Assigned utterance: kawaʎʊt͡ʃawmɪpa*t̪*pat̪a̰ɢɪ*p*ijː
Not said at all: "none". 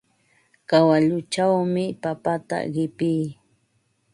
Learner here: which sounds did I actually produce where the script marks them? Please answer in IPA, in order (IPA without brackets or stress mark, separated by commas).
none, p